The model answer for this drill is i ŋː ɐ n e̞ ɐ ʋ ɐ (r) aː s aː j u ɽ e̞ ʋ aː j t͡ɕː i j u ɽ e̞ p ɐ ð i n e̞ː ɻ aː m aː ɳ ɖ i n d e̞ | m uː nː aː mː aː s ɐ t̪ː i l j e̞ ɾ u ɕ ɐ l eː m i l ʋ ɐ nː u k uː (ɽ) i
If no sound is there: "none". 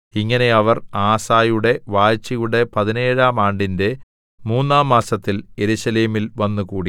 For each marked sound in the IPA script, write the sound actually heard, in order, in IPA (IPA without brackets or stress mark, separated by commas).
r, ɽ